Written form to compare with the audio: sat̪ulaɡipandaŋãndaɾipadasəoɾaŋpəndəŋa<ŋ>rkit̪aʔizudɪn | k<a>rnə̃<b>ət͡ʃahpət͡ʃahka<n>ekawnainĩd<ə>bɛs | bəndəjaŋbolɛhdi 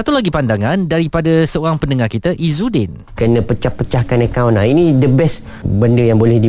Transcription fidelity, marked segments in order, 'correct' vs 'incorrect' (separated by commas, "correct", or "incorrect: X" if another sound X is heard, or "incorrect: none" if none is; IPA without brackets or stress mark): incorrect: none, incorrect: ə, incorrect: p, correct, correct